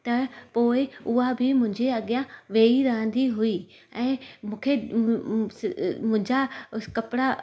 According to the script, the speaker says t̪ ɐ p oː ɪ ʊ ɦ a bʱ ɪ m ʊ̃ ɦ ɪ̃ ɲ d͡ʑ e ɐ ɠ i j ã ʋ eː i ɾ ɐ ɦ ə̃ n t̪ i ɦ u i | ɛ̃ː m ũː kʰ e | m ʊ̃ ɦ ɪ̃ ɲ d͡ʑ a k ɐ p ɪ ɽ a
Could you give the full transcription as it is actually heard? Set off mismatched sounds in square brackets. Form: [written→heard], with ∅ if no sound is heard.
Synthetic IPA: t̪ ɐ p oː ɪ ʊ ɦ a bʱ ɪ m ʊ̃ ɦ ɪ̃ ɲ d͡ʑ e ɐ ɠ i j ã ʋ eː i ɾ ɐ ɦ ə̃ n [t̪→d̪] i ɦ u i | ɛ̃ː m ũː kʰ e | m ʊ̃ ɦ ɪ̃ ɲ d͡ʑ a k ɐ p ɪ ɽ a